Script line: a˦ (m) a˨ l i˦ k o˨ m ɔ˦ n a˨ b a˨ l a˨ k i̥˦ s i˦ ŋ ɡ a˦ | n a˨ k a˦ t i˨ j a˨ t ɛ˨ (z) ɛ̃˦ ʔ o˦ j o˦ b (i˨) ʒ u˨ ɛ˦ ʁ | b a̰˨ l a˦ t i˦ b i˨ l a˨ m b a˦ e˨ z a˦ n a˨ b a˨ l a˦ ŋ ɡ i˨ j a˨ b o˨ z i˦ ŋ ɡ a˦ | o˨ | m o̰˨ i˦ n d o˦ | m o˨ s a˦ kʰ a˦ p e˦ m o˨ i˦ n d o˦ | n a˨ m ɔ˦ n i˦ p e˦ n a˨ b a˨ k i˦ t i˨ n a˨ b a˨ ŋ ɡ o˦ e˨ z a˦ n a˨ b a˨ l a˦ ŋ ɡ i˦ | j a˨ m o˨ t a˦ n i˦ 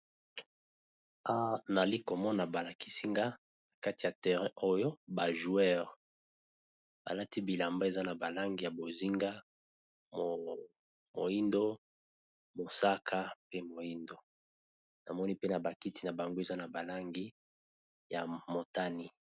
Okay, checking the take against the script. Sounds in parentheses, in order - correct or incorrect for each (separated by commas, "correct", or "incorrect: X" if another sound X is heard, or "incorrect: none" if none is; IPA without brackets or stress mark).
incorrect: n, incorrect: ʁ, incorrect: a˨